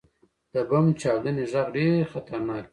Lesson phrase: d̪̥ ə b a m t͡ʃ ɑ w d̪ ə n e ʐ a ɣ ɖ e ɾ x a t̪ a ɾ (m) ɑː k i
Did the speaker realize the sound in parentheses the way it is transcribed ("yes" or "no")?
no